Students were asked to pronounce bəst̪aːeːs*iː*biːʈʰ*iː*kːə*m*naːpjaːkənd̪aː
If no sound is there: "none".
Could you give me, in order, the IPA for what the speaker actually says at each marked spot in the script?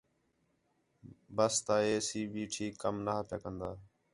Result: iː, iː, m

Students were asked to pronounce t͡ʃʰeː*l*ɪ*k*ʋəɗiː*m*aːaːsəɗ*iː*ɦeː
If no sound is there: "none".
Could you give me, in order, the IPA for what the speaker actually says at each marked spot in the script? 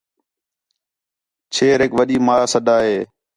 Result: ɾ, k, m, aː

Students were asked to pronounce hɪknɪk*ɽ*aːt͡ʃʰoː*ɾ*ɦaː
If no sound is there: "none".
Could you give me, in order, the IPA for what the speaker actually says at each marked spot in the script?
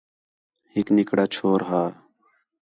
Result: ɽ, ɾ

